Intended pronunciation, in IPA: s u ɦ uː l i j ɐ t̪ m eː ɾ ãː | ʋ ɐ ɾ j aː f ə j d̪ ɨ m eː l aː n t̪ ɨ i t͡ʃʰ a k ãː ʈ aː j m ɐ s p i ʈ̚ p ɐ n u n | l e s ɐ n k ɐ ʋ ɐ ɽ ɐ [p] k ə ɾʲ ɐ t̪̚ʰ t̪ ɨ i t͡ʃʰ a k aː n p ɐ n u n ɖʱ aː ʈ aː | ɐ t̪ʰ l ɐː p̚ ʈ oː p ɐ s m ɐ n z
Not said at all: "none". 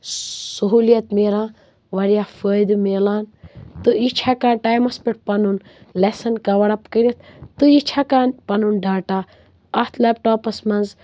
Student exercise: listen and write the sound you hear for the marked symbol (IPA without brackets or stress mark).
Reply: p